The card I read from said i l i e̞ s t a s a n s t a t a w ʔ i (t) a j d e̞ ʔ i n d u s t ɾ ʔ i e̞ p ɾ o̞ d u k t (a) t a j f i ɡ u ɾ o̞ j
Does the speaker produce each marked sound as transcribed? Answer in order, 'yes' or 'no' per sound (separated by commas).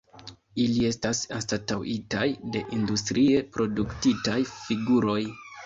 yes, no